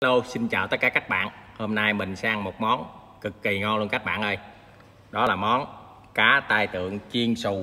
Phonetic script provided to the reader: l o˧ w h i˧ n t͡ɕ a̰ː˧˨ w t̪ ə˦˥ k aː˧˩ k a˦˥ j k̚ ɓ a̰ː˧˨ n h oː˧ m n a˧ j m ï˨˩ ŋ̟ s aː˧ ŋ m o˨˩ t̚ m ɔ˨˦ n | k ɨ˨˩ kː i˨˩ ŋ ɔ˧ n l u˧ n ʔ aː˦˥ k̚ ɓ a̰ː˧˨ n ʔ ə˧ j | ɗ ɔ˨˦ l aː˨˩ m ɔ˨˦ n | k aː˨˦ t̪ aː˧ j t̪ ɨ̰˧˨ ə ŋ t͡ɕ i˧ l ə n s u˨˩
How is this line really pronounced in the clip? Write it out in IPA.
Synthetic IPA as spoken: l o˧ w s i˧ n t͡ɕ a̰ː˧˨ w t̪ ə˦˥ k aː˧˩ k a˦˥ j k̚ ɓ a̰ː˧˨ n h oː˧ m n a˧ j m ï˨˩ ŋ̟ s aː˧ ŋ m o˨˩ t̚ m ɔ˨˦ n | k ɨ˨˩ kː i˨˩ ŋ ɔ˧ n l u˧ n k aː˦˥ k̚ ɓ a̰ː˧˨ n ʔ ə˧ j | ɗ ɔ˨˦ l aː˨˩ m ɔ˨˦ n | k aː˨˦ t̪ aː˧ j t̪ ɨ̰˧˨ ə ŋ t͡ɕ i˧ ə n s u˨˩

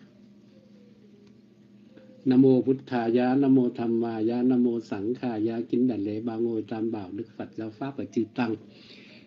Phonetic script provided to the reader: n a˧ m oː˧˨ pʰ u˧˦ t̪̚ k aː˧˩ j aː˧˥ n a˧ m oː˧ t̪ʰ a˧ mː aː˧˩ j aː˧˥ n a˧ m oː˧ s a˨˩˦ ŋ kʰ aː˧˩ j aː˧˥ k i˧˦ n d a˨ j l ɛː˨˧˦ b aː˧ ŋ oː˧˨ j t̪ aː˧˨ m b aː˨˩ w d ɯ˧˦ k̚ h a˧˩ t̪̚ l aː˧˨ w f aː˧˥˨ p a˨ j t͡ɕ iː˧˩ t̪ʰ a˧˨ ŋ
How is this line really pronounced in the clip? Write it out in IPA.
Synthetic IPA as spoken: n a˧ m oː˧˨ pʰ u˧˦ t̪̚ kʰ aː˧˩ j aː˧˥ n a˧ m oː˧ t̪ʰ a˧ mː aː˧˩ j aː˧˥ n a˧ m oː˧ s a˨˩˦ ŋ kʰ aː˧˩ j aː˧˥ k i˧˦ n d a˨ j l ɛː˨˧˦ b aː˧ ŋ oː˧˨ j t̪ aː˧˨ m b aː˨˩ w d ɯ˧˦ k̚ f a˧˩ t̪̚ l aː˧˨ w f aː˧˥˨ p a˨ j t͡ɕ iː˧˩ t̪ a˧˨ ŋ

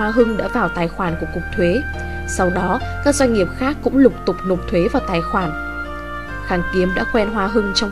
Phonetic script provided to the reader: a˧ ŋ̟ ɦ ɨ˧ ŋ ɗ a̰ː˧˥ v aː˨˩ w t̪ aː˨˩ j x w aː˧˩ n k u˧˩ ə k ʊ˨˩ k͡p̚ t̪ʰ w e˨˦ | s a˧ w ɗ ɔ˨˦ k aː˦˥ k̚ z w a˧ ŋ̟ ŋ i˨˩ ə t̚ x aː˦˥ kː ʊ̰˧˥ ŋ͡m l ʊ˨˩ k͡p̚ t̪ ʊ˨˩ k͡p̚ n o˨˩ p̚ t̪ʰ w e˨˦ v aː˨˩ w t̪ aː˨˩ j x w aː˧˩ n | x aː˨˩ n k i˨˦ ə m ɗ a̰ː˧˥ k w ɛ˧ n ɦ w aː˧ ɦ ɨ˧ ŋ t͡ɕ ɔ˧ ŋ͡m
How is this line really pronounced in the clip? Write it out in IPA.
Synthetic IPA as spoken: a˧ ɦ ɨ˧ ŋ ɗ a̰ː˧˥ v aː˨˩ w t̪ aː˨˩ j x w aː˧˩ n k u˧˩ ə k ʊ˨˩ k͡p̚ t̪ʰ w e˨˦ | s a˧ w ɗ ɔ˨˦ k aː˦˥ k̚ z w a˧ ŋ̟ ŋ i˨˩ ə p̚ x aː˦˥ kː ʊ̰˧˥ ŋ͡m l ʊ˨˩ k͡p̚ t̪ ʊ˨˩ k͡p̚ n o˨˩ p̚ t̪ʰ w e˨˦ v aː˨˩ w t̪ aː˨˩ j x w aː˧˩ n | x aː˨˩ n k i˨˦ ə m ɗ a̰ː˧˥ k w ɛ˧ n ɦ w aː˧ ɦ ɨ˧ ŋ t͡ɕ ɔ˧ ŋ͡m

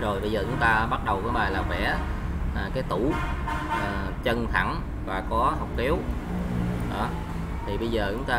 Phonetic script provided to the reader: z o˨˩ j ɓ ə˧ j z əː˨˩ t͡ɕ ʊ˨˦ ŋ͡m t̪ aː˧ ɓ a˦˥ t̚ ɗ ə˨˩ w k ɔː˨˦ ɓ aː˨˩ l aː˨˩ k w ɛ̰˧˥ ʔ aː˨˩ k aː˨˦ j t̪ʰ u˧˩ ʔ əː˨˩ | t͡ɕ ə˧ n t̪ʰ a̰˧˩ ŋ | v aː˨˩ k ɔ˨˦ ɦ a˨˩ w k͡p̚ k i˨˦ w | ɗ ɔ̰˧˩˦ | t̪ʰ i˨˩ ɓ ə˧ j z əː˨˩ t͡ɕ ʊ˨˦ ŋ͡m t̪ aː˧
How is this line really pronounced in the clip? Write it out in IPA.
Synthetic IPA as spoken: z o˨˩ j ɓ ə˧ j z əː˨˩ t͡ɕ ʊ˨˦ ŋ͡m t̪ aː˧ ɓ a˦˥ t̚ ɗ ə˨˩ w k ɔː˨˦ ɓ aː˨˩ l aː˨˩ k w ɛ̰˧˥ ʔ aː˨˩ k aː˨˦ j t̪ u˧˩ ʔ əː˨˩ | t͡ɕ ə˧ n t̪ʰ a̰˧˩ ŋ | v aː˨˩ k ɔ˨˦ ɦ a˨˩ w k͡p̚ k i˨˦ w | ɗ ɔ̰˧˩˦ | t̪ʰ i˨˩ ɓ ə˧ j z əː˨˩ t͡ɕ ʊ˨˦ ŋ͡m t̪ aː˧

